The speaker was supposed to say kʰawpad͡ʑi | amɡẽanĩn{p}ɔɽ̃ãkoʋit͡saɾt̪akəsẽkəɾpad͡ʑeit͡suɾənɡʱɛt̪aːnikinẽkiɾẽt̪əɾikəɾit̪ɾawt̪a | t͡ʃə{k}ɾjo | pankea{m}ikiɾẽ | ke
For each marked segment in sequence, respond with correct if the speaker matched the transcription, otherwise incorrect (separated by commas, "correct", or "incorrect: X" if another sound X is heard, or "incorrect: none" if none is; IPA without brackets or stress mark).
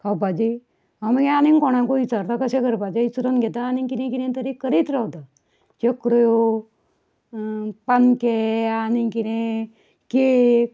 incorrect: k, correct, incorrect: n